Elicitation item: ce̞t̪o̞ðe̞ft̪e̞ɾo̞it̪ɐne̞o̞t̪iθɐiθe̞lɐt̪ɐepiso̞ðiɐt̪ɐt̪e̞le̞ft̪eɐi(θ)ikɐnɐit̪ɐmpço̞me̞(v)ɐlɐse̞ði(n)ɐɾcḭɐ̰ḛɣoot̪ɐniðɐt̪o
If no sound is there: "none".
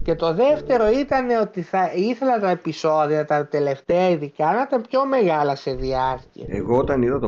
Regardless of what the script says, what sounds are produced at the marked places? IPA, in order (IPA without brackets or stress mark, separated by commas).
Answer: ð, ɣ, none